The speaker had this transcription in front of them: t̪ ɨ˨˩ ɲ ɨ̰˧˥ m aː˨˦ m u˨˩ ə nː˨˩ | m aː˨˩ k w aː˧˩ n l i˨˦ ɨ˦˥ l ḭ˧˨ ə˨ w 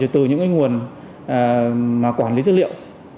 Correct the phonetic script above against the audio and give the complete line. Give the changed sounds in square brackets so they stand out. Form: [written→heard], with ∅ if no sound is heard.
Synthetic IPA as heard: t̪ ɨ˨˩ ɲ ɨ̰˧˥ [m→ŋ] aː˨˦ [m→ŋ] u˨˩ ə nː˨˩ | m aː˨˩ k w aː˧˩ n l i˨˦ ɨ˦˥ l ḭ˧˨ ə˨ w

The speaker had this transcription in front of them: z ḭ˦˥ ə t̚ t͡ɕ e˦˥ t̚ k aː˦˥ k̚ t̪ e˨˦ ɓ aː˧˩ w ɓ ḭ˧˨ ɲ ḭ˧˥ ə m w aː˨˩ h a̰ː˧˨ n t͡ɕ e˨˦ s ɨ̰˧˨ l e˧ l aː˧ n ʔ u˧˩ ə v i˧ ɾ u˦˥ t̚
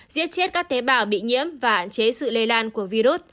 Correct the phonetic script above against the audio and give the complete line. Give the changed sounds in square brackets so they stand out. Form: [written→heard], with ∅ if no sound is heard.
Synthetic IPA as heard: z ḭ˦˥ ə t̚ t͡ɕ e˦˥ t̚ k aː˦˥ k̚ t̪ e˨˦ ɓ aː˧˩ w ɓ ḭ˧˨ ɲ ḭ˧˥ ə m [w→v] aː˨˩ h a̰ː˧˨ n t͡ɕ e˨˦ s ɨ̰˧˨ l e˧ l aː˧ n [ʔ→k] u˧˩ ə v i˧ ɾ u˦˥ t̚

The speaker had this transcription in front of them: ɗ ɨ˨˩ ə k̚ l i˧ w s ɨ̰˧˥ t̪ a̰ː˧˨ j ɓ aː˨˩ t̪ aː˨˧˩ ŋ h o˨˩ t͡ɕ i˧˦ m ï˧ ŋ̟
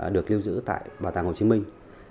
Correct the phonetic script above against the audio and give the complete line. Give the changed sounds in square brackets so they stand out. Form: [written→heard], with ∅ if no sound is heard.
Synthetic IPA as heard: ɗ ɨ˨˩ ə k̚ l i˧ w [s→z] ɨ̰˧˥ t̪ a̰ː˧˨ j ɓ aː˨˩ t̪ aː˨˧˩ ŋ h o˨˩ t͡ɕ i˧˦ m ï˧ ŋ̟

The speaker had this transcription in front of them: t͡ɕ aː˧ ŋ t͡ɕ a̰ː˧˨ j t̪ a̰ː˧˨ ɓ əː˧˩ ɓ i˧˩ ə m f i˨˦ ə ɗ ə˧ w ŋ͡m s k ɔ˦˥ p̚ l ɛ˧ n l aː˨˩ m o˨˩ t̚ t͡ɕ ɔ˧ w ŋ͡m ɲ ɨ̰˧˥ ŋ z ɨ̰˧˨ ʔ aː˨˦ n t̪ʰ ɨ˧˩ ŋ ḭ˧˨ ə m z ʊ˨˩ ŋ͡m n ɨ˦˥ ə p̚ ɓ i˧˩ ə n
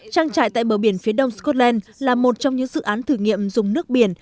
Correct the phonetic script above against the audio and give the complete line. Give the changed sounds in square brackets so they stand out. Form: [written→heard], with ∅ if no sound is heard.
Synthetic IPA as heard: t͡ɕ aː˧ ŋ t͡ɕ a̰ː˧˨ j t̪ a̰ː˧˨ ɓ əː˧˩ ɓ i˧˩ ə [m→n] f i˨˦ ə ɗ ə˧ w ŋ͡m s k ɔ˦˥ [p̚→t̚] l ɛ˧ n l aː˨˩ m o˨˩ t̚ t͡ɕ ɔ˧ w ŋ͡m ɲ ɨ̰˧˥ ŋ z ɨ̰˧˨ ʔ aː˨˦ n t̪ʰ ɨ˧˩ ŋ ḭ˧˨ ə m z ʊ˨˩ ŋ͡m n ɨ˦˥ ə [p̚→k̚] ɓ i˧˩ ə n

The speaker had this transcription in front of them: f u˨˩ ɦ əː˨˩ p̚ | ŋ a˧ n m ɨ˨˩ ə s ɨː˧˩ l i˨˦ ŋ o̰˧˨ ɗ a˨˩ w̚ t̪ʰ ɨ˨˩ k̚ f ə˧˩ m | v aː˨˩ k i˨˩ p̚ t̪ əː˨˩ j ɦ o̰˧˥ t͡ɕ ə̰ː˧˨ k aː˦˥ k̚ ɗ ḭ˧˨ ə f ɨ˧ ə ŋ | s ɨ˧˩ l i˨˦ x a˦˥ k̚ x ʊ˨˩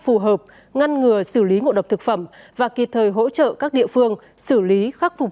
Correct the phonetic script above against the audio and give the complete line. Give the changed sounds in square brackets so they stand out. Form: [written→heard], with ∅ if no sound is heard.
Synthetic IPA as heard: f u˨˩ ɦ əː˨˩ p̚ | ŋ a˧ n [m→ŋ] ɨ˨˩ ə s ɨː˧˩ l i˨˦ ŋ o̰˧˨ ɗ [a˨˩→ə˨˩] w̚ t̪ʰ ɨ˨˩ k̚ f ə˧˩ m | v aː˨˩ k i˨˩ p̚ [t̪→t̪ʰ] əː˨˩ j ɦ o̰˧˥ t͡ɕ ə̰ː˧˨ k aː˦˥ k̚ ɗ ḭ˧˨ ə f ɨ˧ ə ŋ | s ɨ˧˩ l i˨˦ x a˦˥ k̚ [x→f] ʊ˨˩

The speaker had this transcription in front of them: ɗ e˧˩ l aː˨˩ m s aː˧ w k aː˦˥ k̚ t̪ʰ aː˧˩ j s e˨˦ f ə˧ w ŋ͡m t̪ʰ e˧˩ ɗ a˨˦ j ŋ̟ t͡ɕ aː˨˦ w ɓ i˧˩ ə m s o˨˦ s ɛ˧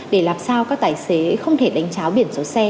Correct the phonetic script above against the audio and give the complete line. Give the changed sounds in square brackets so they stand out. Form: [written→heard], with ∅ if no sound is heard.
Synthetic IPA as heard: ɗ e˧˩ l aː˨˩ m s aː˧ w k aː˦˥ k̚ [t̪ʰ→t̪] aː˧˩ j s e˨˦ [f→x] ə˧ w ŋ͡m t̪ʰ e˧˩ ɗ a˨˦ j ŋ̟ t͡ɕ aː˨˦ w ɓ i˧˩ ə [m→n] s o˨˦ s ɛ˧

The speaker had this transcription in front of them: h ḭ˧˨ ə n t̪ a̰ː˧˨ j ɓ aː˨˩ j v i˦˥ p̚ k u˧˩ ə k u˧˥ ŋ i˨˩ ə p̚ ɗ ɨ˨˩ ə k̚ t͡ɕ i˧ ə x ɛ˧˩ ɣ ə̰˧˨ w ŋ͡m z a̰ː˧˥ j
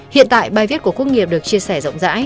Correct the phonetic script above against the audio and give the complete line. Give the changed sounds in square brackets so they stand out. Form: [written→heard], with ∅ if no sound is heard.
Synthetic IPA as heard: h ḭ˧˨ ə n t̪ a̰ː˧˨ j ɓ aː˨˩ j v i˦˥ [p̚→t̚] k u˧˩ ə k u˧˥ ŋ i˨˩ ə p̚ ɗ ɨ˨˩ ə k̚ t͡ɕ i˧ ə [x→s] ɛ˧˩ [ɣ→z] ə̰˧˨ w ŋ͡m z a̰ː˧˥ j

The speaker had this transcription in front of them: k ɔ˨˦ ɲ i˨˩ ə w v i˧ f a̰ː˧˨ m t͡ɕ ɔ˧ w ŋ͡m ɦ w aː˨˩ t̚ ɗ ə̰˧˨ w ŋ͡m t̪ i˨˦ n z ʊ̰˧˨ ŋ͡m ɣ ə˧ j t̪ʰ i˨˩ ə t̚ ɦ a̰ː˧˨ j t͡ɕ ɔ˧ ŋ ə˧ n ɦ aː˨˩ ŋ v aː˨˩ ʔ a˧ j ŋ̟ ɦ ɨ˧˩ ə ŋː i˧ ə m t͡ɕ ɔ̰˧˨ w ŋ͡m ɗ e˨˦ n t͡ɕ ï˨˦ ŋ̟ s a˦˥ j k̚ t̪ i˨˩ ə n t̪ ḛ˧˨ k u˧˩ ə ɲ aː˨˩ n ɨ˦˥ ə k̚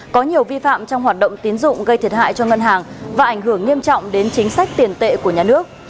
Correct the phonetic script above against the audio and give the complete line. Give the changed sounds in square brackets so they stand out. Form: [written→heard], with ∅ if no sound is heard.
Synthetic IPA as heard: k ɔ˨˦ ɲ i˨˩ ə w v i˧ f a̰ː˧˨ m t͡ɕ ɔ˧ w ŋ͡m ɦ w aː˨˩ t̚ ɗ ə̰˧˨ w ŋ͡m t̪ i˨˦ n z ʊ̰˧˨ ŋ͡m ɣ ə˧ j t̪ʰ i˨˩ ə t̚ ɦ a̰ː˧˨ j t͡ɕ ɔ˧ ŋ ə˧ n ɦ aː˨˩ ŋ v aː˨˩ ʔ [a˧→a˧˩] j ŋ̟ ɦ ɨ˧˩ ə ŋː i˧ ə m t͡ɕ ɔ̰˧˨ w ŋ͡m ɗ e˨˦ n t͡ɕ ï˨˦ ŋ̟ s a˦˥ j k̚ t̪ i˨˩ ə n t̪ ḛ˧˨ k u˧˩ ə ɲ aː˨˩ n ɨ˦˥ ə k̚

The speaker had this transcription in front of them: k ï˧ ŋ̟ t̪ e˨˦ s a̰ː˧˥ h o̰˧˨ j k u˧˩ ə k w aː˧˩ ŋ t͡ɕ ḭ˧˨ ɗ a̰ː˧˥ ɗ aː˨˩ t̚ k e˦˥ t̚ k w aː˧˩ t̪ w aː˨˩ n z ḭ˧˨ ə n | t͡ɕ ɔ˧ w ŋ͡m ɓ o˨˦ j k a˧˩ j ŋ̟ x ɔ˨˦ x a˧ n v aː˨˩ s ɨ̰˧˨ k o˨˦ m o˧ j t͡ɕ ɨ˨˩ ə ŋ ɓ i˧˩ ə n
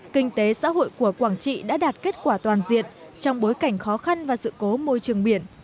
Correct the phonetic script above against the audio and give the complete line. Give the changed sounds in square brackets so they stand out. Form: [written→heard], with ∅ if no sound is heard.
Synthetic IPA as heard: k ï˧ ŋ̟ t̪ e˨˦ s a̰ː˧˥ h o̰˧˨ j k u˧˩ ə k w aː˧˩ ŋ t͡ɕ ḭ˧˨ ɗ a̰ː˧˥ ɗ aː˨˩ t̚ k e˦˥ t̚ k w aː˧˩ t̪ w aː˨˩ n z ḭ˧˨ ə n | t͡ɕ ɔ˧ w ŋ͡m ɓ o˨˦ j k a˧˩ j ŋ̟ x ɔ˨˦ x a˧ n v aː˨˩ s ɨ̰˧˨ k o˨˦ m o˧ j t͡ɕ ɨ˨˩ ə ŋ ɓ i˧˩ ə n

